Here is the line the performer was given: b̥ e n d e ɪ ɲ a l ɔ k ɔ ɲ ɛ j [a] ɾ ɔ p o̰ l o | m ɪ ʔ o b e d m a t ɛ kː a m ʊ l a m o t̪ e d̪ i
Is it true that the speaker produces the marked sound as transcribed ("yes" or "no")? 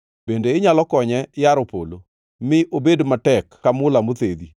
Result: yes